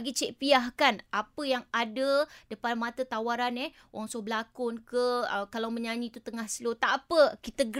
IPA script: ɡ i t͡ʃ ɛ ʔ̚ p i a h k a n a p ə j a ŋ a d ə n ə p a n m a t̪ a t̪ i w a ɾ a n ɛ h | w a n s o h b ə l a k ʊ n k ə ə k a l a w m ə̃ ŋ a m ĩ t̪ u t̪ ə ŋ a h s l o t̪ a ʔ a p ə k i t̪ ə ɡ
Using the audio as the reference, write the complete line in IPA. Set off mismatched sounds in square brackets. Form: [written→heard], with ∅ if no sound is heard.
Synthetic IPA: ɡ i t͡ʃ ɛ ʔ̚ p i a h k a n a p ə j a ŋ a d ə [n→d] ə p a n m a t̪ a t̪ [i→a] w a ɾ a n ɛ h | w a [n→ŋ] s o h b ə l a k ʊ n k ə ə k a l a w m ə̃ [ŋ→ɲ] a [m→ɲ] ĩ t̪ u t̪ ə ŋ a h s l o t̪ a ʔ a p ə k i t̪ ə ɡ